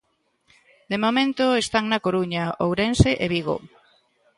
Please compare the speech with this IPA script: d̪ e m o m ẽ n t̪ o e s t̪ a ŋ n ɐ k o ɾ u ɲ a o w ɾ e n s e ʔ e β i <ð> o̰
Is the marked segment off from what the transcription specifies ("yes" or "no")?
yes